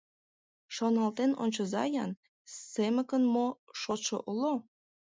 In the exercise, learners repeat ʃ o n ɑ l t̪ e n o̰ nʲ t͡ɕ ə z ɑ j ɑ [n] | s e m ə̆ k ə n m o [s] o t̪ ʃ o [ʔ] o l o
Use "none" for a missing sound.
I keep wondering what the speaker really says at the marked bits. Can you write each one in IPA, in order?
n, ʃ, ʔ

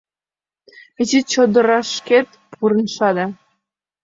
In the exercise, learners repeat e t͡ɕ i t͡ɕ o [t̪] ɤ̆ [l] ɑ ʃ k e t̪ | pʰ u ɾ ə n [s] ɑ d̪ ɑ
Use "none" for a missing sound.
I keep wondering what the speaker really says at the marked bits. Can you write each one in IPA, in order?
d̪, ɾ, ʃ

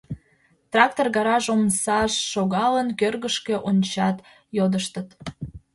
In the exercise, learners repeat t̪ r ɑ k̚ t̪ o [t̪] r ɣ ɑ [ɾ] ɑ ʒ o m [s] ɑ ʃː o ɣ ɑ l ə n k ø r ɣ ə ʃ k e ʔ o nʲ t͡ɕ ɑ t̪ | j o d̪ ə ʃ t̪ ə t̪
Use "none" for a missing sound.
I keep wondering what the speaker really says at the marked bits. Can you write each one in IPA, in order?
none, ɾ, s

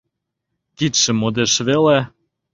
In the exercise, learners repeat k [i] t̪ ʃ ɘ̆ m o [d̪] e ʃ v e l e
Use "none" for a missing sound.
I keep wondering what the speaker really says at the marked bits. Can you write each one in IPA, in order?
i, d̪

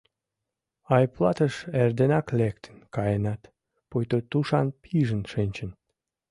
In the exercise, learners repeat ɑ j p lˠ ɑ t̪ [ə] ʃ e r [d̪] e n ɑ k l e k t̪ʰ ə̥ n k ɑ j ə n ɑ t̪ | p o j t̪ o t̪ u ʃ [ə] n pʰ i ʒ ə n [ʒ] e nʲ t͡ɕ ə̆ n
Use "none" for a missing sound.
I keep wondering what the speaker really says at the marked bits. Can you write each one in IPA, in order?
ə, d̪, ɑ, ʃ

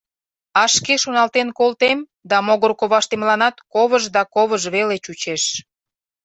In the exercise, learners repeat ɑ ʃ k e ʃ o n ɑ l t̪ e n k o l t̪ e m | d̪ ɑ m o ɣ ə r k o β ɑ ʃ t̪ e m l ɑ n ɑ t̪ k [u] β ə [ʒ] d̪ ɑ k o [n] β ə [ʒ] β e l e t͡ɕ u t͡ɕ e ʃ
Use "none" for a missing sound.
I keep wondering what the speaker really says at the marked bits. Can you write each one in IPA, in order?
o, ʒ, none, ʒ

